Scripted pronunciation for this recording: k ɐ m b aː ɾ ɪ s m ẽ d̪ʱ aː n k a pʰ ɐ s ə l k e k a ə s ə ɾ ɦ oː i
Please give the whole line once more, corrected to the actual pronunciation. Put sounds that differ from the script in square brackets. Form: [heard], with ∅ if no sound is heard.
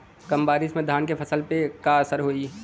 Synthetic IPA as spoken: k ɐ m b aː ɾ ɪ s m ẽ d̪ʱ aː n k [e] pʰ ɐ s ə l [p] e k a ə s ə ɾ ɦ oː i